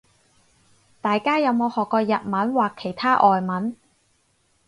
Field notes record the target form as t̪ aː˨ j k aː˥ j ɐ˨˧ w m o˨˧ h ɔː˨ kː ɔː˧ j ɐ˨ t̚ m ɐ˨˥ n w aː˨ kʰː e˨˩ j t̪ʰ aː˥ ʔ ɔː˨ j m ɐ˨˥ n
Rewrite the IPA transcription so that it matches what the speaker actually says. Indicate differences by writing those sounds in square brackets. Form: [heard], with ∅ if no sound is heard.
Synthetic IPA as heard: t̪ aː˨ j k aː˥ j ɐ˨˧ w m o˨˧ h ɔː˨ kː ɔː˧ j ɐ˨ t̚ m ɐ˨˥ n w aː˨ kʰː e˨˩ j t̪ʰ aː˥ ʔ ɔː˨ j m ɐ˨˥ n

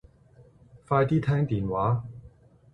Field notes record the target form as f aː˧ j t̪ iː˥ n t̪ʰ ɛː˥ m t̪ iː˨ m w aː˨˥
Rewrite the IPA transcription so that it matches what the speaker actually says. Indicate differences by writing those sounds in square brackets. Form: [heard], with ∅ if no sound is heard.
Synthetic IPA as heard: f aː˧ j t̪ iː˥ [∅] t̪ʰ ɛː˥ [ŋ] t̪ iː˨ [n] w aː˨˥

